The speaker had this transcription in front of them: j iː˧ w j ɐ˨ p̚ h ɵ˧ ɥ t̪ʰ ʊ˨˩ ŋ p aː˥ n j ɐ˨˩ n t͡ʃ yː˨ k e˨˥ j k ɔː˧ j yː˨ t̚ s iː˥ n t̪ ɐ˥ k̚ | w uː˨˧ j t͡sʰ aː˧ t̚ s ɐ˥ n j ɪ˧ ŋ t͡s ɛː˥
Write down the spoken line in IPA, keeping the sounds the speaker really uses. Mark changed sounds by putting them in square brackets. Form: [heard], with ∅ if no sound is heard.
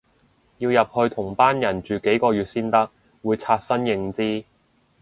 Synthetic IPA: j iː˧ w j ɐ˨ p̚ h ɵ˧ ɥ t̪ʰ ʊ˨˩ ŋ p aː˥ n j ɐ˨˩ n t͡ʃ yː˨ k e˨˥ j k ɔː˧ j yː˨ t̚ s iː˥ n t̪ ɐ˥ k̚ | w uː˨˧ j t͡sʰ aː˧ t̚ s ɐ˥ n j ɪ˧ ŋ t͡s [iː˥]